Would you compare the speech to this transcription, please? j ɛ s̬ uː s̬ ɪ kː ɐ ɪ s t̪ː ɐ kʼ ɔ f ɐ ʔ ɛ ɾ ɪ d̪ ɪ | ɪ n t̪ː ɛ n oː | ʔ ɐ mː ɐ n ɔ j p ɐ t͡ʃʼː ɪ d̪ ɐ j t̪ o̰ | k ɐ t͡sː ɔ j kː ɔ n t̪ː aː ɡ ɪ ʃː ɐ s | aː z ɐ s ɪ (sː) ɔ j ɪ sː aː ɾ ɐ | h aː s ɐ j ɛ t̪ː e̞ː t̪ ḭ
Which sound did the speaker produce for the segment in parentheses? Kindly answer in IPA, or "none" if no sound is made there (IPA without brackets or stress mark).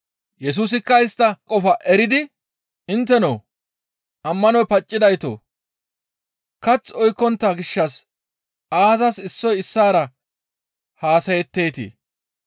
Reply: sː